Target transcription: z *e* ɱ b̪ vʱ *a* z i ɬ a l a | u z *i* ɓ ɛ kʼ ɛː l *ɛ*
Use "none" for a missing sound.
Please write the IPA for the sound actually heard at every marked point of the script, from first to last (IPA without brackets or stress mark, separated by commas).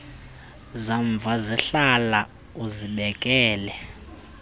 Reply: a, a, i, ɛ